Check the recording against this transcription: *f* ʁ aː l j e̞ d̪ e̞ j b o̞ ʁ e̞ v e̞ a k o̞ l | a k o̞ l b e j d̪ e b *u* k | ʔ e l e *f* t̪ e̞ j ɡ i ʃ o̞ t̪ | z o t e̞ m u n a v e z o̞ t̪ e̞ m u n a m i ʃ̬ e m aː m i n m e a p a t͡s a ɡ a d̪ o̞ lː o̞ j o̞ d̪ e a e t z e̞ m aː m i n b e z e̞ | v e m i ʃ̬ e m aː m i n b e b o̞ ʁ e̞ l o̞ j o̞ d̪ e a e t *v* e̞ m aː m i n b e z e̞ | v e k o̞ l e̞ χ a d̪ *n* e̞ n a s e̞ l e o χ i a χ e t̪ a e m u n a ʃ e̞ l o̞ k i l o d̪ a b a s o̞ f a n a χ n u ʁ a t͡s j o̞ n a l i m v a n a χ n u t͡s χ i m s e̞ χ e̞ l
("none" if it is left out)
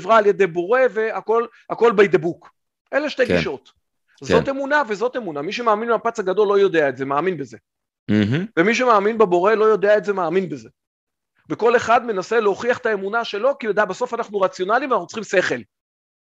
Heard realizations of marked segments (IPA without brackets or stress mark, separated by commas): v, u, ʃ, z, m